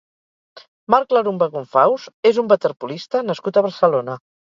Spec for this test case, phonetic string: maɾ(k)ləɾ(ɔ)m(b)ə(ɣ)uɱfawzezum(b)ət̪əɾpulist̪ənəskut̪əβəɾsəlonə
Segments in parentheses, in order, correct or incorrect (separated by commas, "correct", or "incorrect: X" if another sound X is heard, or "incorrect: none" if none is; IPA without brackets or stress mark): correct, incorrect: u, correct, correct, correct